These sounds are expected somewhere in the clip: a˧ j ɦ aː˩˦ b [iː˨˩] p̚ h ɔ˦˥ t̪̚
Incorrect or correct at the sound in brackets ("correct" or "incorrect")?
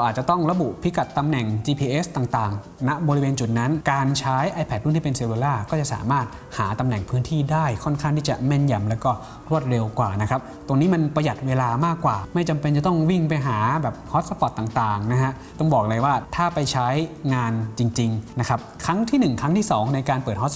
incorrect